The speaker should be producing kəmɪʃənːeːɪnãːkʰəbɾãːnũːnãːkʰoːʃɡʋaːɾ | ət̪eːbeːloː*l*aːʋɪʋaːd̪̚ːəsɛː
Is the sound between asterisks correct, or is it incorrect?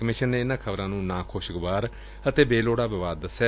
incorrect: ɽ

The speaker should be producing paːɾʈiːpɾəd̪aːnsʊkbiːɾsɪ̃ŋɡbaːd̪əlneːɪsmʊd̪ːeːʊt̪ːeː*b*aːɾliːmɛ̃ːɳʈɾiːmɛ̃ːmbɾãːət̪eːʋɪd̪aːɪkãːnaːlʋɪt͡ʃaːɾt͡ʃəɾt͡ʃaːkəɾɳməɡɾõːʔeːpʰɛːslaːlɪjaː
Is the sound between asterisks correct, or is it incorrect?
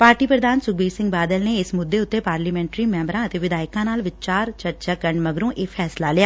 incorrect: p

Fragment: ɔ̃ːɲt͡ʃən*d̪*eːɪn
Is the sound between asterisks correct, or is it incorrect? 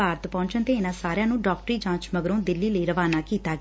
incorrect: t̪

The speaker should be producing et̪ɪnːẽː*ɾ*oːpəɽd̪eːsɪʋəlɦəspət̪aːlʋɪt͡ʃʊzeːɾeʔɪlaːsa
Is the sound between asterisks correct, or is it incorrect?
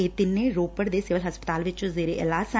correct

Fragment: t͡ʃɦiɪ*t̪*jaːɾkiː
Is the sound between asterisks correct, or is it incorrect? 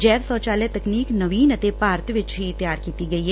correct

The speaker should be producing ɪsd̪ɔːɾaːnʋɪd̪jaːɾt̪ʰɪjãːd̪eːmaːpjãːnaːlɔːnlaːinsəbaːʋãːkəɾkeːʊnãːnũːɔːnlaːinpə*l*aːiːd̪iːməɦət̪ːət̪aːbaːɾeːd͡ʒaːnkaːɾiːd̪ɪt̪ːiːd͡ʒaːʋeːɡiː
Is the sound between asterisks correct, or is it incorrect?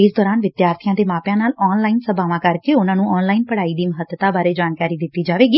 incorrect: ɽ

